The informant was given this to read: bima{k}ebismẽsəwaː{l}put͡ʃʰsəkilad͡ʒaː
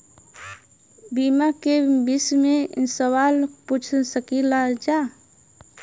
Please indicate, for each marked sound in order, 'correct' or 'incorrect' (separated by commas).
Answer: correct, correct